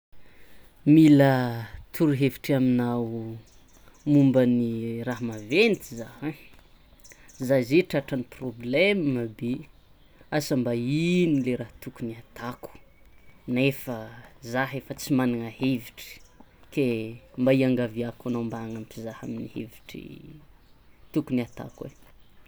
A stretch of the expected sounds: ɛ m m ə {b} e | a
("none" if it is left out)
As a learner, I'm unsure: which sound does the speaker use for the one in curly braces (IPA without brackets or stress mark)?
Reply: b